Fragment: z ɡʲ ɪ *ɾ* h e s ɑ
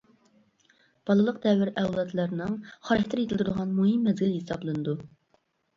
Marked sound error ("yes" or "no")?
yes